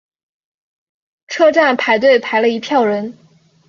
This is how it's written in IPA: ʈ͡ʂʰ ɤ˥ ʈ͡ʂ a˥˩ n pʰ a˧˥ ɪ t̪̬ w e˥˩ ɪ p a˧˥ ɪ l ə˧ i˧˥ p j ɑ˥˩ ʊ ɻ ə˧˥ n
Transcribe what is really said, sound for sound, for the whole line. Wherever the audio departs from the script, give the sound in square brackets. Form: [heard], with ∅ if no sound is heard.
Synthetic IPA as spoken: ʈ͡ʂʰ ɤ˥ ʈ͡ʂ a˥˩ n pʰ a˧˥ ɪ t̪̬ w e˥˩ ɪ [pʰ] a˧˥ ɪ l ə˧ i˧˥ [pʰ] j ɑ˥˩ ʊ ɻ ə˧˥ n